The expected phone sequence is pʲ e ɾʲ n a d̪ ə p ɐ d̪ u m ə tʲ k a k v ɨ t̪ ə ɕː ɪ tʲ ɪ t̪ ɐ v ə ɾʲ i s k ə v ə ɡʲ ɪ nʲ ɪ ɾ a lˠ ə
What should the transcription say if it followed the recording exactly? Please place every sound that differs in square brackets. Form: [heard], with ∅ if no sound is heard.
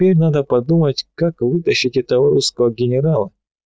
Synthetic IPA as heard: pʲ e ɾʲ n a d̪ ə p ɐ d̪ u m ə tʲ k a k v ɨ t̪ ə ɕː ɪ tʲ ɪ t̪ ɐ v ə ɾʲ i s k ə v ə ɡʲ ɪ nʲ ɪ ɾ a lˠ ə